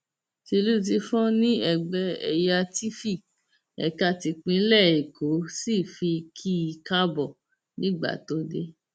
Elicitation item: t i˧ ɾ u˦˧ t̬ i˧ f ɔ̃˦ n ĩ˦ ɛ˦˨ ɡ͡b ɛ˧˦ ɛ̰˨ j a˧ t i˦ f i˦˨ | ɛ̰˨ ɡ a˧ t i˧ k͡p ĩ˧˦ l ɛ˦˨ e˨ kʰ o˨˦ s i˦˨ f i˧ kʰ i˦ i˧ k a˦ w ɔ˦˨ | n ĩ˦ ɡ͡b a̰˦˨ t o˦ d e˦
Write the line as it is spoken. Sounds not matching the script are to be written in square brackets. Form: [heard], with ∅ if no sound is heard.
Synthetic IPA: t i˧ [l] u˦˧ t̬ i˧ f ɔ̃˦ n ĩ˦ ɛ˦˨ ɡ͡b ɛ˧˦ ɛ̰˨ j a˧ t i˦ f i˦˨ | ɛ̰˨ [k] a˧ t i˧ k͡p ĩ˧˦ l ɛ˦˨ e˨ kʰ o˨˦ s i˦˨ f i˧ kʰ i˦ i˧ k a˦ [b] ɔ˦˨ | n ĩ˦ ɡ͡b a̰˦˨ t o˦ d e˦